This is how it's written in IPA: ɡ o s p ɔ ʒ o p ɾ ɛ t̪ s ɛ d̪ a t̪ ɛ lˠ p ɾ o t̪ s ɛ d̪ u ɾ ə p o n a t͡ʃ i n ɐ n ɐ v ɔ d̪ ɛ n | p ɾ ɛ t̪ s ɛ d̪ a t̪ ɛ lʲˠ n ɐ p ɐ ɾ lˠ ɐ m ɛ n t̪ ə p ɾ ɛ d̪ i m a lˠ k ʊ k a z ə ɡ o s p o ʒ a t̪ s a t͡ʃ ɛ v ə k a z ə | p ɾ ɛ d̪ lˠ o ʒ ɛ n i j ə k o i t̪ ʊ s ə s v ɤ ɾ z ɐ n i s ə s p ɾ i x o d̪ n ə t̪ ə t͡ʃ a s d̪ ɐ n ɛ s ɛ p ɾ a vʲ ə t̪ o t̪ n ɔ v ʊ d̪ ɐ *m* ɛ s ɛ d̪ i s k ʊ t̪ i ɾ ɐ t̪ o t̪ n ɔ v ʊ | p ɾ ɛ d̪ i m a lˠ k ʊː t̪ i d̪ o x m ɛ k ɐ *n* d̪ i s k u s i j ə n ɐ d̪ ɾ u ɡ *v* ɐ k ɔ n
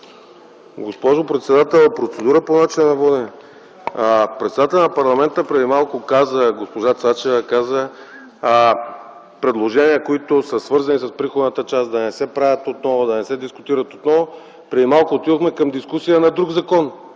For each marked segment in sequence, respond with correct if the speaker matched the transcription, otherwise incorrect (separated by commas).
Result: incorrect, incorrect, incorrect